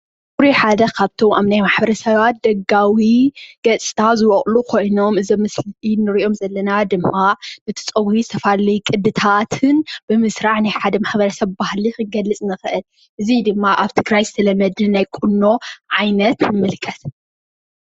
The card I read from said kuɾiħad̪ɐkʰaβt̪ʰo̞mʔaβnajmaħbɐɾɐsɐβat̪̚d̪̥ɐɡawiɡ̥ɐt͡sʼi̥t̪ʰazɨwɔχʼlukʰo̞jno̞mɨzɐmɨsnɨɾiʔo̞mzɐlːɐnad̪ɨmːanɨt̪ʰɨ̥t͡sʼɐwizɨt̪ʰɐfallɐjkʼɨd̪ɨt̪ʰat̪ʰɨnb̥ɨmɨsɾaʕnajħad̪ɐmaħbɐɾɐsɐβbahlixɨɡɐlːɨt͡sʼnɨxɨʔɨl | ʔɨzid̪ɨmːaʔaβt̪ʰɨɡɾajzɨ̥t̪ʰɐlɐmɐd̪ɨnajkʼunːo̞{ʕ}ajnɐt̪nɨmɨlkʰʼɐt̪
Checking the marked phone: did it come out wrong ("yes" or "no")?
no